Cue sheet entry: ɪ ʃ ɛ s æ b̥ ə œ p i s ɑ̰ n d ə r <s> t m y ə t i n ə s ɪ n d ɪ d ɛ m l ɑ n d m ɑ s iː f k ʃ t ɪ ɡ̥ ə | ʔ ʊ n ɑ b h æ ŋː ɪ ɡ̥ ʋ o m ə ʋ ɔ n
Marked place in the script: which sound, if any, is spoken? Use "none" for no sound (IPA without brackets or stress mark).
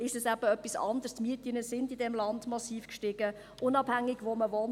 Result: s